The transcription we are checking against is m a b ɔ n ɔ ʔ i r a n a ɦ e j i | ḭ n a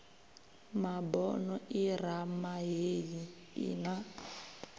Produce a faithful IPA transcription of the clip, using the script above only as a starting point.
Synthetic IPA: m a b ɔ n ɔ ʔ i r a m a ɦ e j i | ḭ n a